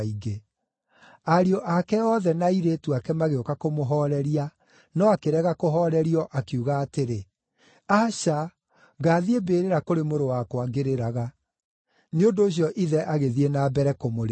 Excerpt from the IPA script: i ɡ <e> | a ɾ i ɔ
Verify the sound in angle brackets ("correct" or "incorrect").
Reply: correct